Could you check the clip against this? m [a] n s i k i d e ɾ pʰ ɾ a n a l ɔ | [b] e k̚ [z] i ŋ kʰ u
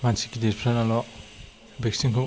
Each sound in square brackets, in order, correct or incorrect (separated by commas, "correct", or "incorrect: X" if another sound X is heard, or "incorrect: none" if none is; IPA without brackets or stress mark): correct, correct, incorrect: s